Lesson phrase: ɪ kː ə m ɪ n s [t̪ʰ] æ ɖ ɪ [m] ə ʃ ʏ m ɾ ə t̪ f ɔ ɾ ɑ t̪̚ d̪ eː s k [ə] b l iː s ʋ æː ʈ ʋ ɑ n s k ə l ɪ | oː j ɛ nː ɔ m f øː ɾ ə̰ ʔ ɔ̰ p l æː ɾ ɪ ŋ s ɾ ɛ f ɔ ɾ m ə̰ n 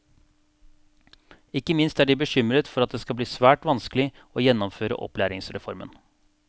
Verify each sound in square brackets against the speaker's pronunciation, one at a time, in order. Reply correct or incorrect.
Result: incorrect: t̪, incorrect: b, incorrect: ɑ

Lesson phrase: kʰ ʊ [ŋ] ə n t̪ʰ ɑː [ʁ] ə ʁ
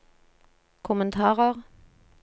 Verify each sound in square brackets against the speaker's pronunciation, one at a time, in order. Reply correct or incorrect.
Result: incorrect: m, correct

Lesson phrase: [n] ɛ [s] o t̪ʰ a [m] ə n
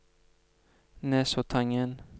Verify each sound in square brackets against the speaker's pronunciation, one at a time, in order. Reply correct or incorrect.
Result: correct, correct, incorrect: ŋ

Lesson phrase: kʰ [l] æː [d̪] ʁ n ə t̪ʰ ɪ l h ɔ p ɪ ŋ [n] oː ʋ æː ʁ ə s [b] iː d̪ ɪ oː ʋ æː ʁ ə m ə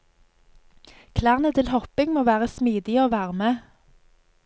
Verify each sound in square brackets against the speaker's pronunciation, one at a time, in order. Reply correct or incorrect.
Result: correct, incorrect: none, incorrect: m, incorrect: m

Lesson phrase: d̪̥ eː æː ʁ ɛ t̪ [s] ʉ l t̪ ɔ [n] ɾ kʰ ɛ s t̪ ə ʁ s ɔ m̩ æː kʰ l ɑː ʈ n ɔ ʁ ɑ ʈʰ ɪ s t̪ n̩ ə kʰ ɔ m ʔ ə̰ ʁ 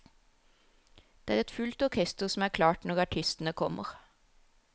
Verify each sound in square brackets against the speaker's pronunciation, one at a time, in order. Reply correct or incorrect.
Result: incorrect: f, incorrect: none

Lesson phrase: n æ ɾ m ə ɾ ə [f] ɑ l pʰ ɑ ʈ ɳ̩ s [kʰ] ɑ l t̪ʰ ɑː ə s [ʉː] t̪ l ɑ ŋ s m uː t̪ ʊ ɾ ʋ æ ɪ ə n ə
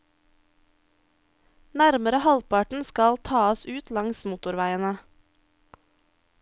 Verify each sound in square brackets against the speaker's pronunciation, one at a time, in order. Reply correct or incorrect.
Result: incorrect: h, incorrect: k, correct

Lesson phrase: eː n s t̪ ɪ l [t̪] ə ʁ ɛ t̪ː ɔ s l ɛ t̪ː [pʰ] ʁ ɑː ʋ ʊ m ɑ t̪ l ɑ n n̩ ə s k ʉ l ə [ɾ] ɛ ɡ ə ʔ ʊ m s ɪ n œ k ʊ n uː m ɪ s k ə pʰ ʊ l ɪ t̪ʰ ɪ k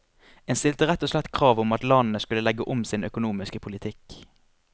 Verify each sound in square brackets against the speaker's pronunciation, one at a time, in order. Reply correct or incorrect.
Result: correct, incorrect: kʰ, incorrect: l

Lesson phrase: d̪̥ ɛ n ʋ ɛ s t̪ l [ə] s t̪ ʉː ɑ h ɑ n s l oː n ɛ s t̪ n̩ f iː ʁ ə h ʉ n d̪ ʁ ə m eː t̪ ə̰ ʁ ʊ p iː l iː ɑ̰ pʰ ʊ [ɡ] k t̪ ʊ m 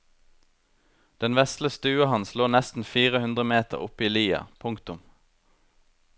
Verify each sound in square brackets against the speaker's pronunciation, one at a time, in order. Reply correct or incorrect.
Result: correct, incorrect: ŋ

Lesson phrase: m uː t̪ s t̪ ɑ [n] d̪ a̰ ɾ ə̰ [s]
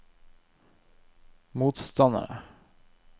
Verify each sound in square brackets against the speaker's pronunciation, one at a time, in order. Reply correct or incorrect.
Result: correct, incorrect: none

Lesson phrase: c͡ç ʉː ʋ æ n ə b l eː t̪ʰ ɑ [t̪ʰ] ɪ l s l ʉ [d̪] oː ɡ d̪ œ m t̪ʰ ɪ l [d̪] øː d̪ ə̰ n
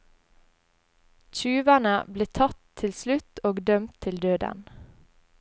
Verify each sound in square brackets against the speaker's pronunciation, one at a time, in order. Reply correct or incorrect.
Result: correct, incorrect: t̪, correct

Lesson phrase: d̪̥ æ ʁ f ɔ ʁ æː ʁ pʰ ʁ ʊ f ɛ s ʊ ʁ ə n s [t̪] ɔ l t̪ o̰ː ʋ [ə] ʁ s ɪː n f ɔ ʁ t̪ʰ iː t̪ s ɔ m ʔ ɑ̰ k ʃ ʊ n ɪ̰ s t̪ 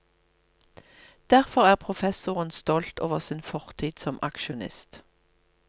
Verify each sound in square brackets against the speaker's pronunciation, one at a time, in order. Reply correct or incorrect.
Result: correct, correct

